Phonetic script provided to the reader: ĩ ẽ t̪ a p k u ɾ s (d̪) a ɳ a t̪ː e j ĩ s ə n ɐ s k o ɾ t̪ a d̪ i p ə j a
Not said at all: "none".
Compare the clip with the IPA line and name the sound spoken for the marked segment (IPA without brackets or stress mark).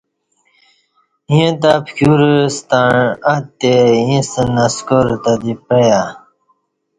t̪